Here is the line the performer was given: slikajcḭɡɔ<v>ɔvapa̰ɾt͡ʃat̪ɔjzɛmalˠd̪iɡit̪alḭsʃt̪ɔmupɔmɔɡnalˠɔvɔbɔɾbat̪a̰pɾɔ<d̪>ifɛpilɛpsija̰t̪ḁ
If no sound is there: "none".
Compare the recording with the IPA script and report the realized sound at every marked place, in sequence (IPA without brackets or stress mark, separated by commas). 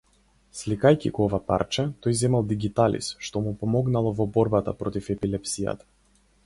none, t̪